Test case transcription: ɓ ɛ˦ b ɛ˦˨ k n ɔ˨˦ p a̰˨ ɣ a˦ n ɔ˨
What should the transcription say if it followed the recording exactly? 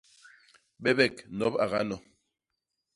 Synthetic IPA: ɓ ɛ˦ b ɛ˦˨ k n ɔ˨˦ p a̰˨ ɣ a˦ n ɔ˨